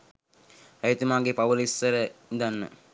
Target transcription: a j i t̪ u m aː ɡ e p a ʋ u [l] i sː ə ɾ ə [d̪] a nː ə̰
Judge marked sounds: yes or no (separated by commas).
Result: yes, yes